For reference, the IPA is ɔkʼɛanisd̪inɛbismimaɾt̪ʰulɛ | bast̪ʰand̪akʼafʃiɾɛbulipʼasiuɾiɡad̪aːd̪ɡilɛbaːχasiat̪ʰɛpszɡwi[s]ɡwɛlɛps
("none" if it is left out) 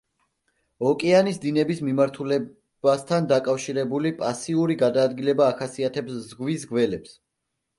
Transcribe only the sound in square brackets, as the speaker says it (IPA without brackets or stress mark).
s